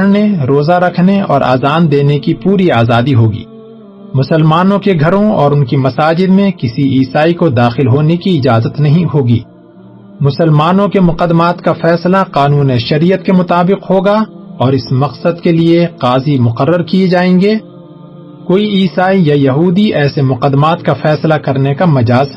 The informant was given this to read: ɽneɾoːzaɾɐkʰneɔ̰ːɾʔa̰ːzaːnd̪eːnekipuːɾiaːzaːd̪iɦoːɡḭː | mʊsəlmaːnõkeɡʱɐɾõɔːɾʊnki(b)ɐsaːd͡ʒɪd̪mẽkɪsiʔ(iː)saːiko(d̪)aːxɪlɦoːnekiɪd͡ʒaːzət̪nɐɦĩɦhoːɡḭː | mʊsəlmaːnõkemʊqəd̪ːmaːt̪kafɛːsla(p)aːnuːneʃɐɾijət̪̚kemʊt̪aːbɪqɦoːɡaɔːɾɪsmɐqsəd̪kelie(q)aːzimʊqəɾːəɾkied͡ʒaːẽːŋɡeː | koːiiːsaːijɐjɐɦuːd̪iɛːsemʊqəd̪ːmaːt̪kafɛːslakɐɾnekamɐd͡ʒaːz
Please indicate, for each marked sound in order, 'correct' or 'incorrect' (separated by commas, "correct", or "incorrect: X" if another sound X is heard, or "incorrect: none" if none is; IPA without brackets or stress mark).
incorrect: m, correct, correct, incorrect: q, correct